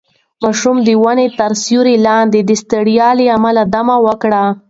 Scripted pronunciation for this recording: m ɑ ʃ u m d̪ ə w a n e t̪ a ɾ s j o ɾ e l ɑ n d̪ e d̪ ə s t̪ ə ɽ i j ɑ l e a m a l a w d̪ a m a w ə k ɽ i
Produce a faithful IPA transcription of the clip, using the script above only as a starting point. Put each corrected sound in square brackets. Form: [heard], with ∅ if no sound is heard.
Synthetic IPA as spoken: m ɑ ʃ u m d̪ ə w a n e t̪ a ɾ s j [u] ɾ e l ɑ n d̪ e d̪ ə s t̪ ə ɽ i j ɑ l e a m a l a [∅] d̪ a m a w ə k ɽ [a]